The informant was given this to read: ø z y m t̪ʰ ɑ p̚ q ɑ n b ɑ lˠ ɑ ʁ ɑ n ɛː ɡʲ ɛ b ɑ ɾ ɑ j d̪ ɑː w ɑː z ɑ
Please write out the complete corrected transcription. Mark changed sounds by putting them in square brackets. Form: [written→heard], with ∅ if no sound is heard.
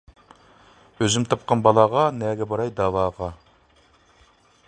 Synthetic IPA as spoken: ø z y m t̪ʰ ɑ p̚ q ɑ n b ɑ lˠ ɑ ʁ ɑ n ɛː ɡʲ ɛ b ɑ ɾ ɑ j d̪ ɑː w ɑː [z→ʁ] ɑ